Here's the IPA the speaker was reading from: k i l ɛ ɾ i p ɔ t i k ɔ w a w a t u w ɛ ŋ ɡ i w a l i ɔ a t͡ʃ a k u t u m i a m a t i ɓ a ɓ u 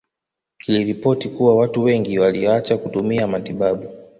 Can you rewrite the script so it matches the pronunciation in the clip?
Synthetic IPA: k i l i ɾ i p ɔ t i k u w a w a t u w ɛ ŋ ɡ i w a l i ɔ a t͡ʃ a k u t u m i a m a t i ɓ a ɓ u